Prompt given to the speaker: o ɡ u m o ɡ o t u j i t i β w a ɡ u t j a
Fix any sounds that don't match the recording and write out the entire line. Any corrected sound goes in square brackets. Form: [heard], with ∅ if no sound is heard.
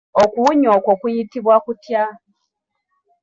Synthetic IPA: o [k] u [ɲ] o [k] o [k] u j i t i β w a [k] u t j a